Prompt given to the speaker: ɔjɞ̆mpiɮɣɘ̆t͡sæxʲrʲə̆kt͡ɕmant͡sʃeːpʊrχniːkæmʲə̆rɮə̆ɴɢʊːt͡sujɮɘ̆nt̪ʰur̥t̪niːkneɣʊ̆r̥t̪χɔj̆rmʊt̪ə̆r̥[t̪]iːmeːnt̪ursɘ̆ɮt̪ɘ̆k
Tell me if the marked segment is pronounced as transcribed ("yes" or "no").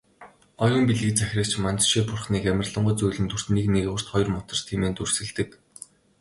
no